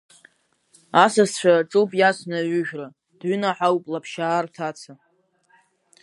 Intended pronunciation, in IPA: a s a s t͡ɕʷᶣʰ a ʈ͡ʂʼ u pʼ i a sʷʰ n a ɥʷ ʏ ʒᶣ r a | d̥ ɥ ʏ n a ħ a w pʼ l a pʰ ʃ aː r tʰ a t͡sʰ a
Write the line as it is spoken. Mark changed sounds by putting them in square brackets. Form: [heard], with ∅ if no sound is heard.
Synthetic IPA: a s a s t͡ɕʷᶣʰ a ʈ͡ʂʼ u pʼ [j] a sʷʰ n a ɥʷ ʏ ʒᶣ r a | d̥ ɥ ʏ n a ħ a w pʼ l a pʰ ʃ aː r tʰ a t͡sʰ a